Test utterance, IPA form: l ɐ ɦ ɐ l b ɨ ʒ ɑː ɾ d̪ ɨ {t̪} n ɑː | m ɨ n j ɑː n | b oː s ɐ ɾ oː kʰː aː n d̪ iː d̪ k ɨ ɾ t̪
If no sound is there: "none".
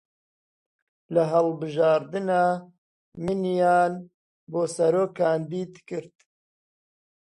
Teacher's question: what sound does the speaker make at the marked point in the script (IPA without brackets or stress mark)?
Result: none